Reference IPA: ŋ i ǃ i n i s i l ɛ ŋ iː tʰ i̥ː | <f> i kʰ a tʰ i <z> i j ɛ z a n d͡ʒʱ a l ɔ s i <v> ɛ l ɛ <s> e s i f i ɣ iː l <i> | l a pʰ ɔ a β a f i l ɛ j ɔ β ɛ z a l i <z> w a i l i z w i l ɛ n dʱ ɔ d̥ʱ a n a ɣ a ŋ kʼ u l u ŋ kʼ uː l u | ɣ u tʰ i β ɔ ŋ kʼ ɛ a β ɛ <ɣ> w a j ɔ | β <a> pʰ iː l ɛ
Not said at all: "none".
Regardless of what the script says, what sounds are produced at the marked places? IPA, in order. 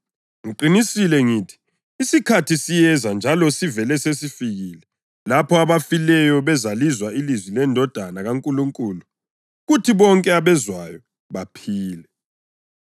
s, s, v, s, ɛ, z, z, a

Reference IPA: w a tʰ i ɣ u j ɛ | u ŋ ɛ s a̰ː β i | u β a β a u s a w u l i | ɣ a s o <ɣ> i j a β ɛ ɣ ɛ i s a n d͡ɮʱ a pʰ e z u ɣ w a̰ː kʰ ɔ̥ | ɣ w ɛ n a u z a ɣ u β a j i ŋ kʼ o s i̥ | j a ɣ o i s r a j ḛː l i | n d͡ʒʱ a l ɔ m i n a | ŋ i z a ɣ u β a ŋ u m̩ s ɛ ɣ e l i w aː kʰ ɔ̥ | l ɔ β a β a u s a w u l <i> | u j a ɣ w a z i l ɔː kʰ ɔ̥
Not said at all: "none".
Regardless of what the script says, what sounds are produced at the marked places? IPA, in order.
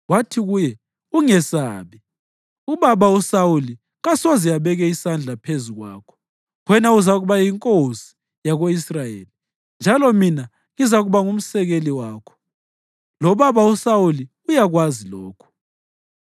z, i

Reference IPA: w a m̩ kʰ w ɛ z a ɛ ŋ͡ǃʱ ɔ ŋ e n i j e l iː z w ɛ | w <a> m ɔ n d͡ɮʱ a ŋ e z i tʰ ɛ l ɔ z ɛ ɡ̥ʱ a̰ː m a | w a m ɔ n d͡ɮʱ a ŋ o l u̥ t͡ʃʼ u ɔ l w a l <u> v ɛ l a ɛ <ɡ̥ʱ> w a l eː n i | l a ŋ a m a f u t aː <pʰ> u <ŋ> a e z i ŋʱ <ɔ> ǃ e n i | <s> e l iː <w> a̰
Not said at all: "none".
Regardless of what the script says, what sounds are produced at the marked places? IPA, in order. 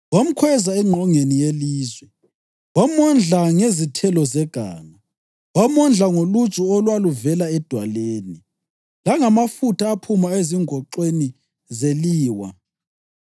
a, u, d̥ʱ, pʰ, m, ɔ, z, w

